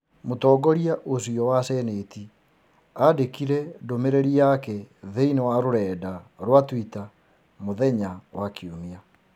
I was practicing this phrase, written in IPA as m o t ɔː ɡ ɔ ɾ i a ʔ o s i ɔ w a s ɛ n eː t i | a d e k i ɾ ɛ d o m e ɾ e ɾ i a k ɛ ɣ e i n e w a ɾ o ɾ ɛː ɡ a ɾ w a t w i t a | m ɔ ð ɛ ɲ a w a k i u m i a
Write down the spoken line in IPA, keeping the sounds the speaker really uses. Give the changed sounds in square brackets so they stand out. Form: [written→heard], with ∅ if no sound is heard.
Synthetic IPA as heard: m o t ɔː ɡ ɔ ɾ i a ʔ o s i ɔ w a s ɛ n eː t i | a d e k i ɾ ɛ d o m e ɾ e ɾ i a k ɛ [ɣ→ð] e i n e w a ɾ o ɾ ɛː [ɡ→d] a ɾ w a t w i t a | m [ɔ→o] ð ɛ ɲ a w a k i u m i a